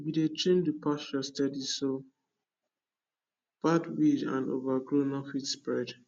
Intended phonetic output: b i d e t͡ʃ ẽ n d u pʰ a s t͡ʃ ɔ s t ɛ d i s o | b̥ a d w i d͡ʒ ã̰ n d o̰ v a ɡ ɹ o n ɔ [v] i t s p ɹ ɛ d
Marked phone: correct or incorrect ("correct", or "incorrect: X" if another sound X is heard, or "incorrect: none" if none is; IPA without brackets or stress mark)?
incorrect: f